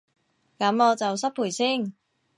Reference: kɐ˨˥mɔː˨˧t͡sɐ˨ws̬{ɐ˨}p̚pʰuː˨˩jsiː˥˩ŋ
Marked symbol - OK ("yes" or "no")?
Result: no